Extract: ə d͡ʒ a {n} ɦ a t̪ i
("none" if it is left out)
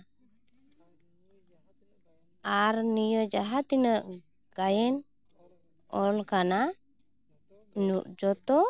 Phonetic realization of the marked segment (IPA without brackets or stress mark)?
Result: none